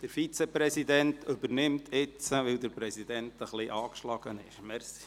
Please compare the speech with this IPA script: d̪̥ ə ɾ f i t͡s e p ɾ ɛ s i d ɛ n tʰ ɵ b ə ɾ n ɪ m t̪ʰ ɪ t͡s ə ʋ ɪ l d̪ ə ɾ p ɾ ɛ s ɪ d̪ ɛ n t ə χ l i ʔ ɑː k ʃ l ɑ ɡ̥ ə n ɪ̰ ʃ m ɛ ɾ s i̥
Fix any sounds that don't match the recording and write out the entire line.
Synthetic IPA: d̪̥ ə ɾ f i t͡s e p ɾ ɛ s i d ɛ n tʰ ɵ b ə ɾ n ɪ m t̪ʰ ɪ t͡s ə ʋ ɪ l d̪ ə ɾ p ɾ ɛ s i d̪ ɛ n t ə χ l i ʔ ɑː k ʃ l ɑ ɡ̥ ə n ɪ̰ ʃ m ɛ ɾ s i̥